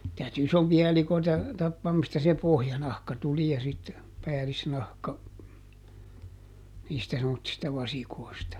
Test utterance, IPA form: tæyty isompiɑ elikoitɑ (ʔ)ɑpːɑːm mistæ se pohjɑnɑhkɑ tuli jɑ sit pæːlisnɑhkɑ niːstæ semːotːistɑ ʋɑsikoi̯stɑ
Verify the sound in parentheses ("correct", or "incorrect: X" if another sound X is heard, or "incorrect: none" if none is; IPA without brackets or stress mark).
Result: incorrect: t